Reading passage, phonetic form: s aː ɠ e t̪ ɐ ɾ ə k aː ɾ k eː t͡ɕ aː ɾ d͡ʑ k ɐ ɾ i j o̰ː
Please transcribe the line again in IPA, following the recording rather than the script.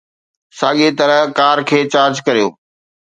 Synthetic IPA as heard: s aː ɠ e t̪ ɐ ɾ ə k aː ɾ kʰ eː t͡ɕ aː ɾ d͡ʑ k ɐ ɾ i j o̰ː